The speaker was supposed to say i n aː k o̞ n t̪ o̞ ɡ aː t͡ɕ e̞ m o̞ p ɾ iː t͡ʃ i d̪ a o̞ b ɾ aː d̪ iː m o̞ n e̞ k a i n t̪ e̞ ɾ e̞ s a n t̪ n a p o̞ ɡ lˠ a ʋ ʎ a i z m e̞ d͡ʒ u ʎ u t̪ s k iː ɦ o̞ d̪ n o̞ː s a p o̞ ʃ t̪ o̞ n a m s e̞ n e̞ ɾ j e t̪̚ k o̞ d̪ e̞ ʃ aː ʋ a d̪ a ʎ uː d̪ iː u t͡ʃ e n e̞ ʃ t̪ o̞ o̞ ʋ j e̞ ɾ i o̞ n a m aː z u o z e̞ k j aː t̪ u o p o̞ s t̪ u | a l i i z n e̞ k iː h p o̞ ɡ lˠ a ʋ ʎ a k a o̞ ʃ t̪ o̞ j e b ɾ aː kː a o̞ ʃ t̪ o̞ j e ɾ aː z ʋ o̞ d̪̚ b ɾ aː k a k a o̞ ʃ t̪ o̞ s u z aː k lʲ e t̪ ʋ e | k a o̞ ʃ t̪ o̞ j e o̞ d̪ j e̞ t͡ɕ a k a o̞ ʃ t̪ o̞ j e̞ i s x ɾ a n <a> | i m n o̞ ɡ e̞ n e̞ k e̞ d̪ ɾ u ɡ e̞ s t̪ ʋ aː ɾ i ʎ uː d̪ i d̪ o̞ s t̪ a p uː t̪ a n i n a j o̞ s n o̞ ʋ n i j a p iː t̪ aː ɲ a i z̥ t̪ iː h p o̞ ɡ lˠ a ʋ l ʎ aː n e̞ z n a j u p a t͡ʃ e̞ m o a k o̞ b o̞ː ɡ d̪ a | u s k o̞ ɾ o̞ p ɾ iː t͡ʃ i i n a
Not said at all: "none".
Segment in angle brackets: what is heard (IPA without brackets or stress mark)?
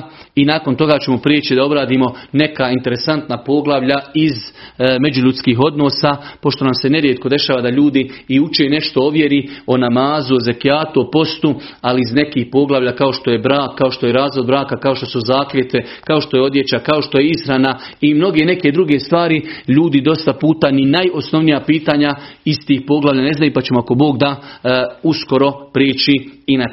a